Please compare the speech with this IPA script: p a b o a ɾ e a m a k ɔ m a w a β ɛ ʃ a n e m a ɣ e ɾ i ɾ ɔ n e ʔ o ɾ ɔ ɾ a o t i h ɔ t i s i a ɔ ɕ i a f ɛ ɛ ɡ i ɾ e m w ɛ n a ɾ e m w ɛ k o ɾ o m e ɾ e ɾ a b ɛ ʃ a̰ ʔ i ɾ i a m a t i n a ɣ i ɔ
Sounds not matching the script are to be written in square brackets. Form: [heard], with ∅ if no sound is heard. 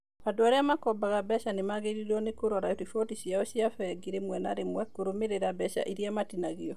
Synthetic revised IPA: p a [d] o a ɾ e a m a k ɔ [b] a [ɣ] a [b] ɛ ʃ a n e m a ɣ e ɾ i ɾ ɔ n e [k] o ɾ ɔ ɾ a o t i [f] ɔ t i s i a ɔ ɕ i a f ɛ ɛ ɡ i ɾ e m w ɛ n a ɾ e m w ɛ k o ɾ o m e ɾ e ɾ a b ɛ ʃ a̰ ʔ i ɾ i a m a t i n a ɣ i ɔ